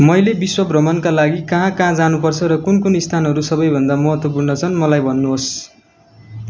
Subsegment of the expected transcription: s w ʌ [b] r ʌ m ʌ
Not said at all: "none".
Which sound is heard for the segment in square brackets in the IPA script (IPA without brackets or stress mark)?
b